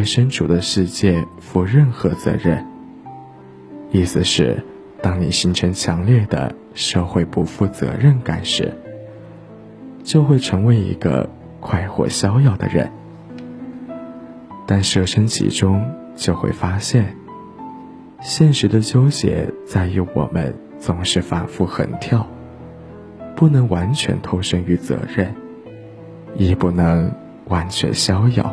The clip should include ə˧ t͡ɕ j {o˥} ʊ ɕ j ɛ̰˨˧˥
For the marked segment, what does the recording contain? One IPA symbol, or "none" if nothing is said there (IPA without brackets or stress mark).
o˥